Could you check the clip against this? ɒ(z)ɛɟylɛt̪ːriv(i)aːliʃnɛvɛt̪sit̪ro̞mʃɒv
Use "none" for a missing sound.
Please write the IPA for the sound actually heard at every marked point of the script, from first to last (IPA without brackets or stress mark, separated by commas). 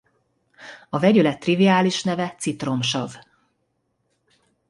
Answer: v, i